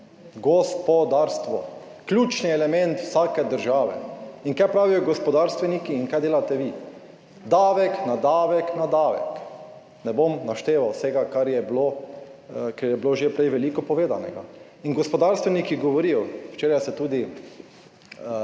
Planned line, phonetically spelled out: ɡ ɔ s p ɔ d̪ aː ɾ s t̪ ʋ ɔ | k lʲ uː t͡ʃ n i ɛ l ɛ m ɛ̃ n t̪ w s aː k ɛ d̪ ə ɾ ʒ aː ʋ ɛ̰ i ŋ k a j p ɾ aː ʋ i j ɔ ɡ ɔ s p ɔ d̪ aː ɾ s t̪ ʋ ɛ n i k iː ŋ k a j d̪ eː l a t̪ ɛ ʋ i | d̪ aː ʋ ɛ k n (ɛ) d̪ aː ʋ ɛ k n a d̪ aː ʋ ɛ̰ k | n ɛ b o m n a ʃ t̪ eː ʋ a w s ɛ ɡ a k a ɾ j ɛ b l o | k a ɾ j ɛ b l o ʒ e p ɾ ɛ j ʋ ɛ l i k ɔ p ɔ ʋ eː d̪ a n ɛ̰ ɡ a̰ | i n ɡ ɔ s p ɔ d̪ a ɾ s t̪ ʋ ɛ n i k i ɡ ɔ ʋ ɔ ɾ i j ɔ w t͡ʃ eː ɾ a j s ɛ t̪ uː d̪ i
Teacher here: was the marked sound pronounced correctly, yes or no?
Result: no